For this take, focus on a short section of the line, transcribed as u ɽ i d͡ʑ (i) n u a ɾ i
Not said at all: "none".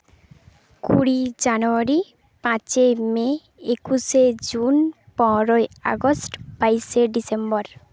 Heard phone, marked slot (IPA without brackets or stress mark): a